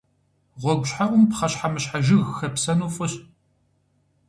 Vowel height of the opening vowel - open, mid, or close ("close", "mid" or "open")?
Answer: mid